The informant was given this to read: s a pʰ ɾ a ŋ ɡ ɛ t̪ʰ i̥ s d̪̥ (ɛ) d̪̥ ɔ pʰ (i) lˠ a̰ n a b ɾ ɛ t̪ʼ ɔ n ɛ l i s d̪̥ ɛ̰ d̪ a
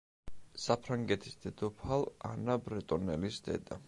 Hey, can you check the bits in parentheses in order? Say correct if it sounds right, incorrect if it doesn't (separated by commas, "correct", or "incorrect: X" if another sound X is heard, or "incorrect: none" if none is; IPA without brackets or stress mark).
correct, incorrect: a